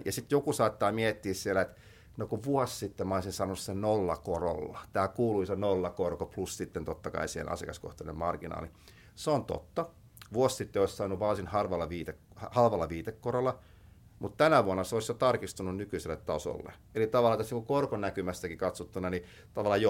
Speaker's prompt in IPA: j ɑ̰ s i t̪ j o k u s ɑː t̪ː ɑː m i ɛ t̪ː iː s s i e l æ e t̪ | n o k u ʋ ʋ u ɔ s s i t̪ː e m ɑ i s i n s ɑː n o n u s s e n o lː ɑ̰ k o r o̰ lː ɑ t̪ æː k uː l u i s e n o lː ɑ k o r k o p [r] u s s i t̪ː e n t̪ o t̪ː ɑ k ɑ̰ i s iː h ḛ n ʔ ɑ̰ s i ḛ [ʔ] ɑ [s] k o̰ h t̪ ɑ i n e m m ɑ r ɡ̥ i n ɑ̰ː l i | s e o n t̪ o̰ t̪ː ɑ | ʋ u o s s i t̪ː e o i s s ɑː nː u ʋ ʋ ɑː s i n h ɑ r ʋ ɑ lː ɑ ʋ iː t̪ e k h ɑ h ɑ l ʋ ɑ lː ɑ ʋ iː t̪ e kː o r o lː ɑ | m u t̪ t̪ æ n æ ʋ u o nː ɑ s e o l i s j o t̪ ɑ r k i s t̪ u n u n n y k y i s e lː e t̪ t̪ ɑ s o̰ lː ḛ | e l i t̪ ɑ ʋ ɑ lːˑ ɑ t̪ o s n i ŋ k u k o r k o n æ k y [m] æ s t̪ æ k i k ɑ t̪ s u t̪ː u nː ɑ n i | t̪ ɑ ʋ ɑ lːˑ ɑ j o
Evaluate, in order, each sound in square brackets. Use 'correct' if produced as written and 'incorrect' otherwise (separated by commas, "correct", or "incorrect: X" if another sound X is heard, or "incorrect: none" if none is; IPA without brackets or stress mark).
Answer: incorrect: l, incorrect: k, correct, correct